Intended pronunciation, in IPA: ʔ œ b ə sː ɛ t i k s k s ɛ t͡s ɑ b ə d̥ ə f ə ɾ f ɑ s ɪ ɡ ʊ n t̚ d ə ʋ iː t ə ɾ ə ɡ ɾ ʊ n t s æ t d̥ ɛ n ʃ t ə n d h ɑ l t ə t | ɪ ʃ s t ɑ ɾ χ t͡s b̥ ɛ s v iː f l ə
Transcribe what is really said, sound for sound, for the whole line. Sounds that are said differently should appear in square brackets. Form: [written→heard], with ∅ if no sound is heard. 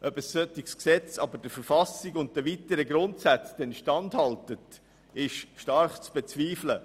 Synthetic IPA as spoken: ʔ œ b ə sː [ɛ→œ] t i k s k s ɛ t͡s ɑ b ə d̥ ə f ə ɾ f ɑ s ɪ ɡ ʊ n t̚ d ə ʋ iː t ə ɾ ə ɡ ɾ ʊ n t s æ [t→t͡s] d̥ ɛ n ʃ t [ə→ɑ] n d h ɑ l t ə t | ɪ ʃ [s→ʃ] t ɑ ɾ χ t͡s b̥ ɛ [s→t͡s] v iː f l ə

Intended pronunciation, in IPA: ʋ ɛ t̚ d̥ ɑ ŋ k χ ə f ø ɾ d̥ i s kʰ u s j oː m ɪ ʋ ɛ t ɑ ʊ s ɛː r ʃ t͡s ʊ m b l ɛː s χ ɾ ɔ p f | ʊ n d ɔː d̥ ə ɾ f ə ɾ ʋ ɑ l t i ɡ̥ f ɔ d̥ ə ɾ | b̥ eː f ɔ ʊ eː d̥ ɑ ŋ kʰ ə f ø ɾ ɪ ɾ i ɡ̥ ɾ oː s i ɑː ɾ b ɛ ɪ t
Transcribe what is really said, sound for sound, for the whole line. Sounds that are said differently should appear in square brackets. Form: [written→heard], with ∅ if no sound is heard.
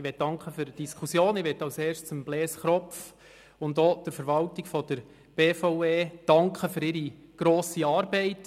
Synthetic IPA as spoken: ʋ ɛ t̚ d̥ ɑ ŋ k χ ə f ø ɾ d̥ i s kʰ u s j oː [m→n] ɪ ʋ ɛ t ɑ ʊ s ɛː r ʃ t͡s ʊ m b l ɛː s χ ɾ ɔ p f | ʊ n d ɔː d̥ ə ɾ f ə ɾ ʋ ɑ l t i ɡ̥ f ɔ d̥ ə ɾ | b̥ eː f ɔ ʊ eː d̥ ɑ ŋ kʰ ə f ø ɾ ɪ ɾ i ɡ̥ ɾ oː s i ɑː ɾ b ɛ ɪ t

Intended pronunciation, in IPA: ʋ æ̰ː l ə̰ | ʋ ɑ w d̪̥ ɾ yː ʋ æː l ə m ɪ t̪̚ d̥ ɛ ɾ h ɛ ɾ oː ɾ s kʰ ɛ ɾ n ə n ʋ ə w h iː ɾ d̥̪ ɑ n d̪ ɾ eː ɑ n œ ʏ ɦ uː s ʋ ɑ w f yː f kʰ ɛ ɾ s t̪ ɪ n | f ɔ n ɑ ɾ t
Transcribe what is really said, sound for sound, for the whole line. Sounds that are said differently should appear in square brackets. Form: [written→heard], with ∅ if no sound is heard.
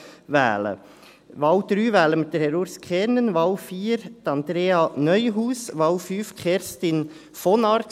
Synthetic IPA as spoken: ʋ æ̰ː l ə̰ | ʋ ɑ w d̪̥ ɾ yː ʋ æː l ə m ɪ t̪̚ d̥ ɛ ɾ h ɛ ɾ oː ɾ s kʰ ɛ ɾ n ə n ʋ [ə→ɑ] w [h→f] iː ɾ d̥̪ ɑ n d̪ ɾ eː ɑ n œ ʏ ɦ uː s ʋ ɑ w f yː f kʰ ɛ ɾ s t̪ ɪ n | f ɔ n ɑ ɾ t

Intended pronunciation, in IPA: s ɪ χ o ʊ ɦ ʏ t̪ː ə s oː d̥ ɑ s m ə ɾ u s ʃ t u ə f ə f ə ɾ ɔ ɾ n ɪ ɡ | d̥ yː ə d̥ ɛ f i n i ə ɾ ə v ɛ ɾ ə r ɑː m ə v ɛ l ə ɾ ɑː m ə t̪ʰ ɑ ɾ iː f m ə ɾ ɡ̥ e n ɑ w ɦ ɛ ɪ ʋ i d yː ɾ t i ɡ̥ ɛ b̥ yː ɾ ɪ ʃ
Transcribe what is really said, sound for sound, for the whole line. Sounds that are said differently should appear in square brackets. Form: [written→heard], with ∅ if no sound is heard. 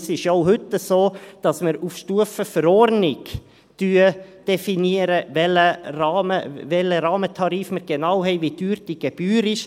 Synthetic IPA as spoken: s ɪ [χ→ʃ] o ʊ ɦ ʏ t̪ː ə s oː d̥ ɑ s m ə ɾ u [s→f] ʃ t u ə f ə f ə ɾ ɔ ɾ n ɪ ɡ | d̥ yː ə d̥ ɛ f i n i ə ɾ ə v ɛ [ɾ→l] ə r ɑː m ə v ɛ l ə ɾ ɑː m ə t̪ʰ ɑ ɾ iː f m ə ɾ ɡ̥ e n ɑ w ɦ ɛ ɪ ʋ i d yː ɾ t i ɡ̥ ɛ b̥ yː ɾ ɪ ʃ

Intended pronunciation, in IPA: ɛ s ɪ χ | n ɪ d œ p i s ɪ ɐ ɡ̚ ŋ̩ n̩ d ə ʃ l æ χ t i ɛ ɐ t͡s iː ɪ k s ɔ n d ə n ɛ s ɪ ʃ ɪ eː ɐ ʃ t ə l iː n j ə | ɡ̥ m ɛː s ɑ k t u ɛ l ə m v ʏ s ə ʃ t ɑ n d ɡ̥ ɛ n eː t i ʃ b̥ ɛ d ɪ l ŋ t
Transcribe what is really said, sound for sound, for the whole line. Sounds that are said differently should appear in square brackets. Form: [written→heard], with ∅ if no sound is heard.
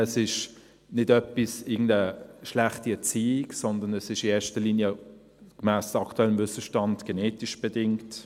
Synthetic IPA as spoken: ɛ s ɪ [χ→ʃ] | n ɪ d œ p i s ɪ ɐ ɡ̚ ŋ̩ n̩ d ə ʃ l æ χ t i ɛ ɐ t͡s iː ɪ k s ɔ n d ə n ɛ s ɪ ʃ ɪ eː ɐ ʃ t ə l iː n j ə | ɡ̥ m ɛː s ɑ k t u ɛ l ə m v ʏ s ə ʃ t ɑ n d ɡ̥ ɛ n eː t i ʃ b̥ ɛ d ɪ [l→∅] ŋ t

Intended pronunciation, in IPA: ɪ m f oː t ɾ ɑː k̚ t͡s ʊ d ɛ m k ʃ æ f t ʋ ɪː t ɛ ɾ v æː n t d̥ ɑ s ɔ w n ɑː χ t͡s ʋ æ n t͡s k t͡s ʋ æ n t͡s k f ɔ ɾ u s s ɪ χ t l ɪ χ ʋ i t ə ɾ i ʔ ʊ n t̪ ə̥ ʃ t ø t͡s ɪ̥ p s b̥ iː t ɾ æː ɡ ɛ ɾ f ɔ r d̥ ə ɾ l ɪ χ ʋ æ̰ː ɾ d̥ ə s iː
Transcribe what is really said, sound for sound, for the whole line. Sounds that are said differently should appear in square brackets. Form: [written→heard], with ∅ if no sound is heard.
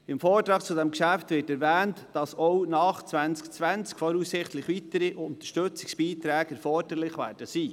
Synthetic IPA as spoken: ɪ m f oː t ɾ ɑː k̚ t͡s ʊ d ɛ m k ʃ æ f t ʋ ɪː t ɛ ɾ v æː n t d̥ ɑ s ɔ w n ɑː χ t͡s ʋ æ n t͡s k t͡s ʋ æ n t͡s k f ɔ ɾ u s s ɪ χ t l ɪ χ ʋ i t ə ɾ i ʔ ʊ n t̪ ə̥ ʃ t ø t͡s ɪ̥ [p→k] s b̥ iː t ɾ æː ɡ ɛ ɾ f ɔ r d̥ ə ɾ l ɪ χ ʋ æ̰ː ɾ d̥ ə s iː

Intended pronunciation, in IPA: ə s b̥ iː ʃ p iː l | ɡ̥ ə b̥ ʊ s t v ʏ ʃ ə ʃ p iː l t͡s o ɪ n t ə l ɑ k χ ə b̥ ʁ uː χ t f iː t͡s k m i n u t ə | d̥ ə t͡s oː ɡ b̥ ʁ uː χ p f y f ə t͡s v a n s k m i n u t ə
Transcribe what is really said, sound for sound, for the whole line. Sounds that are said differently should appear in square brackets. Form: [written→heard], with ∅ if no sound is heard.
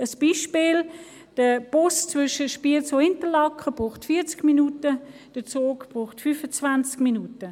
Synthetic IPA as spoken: ə s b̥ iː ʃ p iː l | [ɡ̥→d̥] ə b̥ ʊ s [t→t͡s] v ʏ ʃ ə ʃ p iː l t͡s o ɪ n t ə l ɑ k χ ə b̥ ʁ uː χ t f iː t͡s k m i n u t ə | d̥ ə t͡s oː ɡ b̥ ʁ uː χ [p→t] f y f ə t͡s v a n [s→t͡s] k m i n u t ə

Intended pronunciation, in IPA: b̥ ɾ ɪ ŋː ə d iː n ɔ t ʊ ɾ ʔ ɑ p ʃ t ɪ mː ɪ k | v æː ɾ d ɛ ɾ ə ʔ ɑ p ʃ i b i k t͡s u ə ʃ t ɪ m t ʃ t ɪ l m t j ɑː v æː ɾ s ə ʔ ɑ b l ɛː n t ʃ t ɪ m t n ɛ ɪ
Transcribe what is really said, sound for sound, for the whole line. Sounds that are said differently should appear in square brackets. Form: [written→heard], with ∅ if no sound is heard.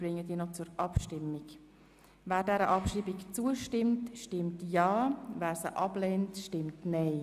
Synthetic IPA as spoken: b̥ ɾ ɪ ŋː ə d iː n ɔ [t→t͡s] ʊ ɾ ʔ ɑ p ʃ t ɪ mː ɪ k | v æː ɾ d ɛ ɾ ə ʔ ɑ p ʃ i b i k t͡s u ə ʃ t ɪ m t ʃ t ɪ [l→∅] m t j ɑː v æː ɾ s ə ʔ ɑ b l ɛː n t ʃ t ɪ m t n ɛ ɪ

